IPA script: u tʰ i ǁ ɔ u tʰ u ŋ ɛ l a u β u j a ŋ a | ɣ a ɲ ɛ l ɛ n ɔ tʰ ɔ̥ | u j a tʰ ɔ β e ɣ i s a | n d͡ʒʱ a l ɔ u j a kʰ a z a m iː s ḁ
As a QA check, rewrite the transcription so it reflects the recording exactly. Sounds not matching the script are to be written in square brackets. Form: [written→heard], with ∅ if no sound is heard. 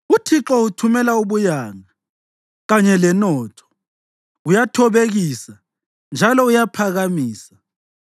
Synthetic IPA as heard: u tʰ i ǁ ɔ u tʰ u [ŋ→m] ɛ l a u β u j a ŋ a | ɣ a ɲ ɛ l ɛ n ɔ tʰ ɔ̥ | u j a tʰ ɔ β e ɣ i s a | n d͡ʒʱ a l ɔ u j a [kʰ→pʰ] a [z→ɣ] a m iː s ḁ